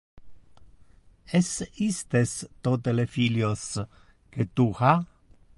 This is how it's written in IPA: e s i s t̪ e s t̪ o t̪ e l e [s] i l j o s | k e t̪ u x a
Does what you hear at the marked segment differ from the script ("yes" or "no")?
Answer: yes